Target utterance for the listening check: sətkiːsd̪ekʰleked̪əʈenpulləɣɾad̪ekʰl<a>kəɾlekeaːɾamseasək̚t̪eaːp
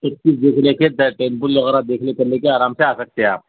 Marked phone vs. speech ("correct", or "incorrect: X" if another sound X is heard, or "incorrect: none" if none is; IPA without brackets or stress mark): incorrect: e